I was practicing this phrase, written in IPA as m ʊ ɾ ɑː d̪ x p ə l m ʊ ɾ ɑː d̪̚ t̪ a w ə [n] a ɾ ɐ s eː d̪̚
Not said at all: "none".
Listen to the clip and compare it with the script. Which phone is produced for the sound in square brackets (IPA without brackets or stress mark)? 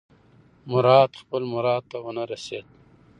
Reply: n